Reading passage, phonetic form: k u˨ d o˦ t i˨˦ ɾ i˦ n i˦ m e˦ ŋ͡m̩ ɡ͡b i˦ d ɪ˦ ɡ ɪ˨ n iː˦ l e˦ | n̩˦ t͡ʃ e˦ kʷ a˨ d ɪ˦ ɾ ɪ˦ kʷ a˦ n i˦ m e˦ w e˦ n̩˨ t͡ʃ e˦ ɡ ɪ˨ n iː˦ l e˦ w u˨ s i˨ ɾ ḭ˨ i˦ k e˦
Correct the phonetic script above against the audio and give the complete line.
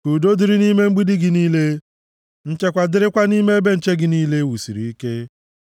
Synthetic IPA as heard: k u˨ d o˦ d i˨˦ ɾ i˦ n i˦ m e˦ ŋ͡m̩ ɡ͡b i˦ d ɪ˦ ɡ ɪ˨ n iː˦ l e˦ | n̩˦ t͡ʃ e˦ kʷ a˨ d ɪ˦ ɾ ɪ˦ kʷ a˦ n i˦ m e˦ b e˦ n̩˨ t͡ʃ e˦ ɡ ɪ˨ n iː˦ l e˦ w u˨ s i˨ ɾ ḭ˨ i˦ k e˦